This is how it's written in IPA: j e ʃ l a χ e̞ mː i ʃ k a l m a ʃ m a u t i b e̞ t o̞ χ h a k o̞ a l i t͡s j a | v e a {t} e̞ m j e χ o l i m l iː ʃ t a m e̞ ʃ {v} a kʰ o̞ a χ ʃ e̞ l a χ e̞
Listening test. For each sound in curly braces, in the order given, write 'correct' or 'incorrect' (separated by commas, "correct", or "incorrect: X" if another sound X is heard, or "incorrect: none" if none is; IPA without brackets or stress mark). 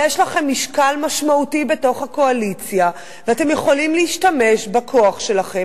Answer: correct, incorrect: b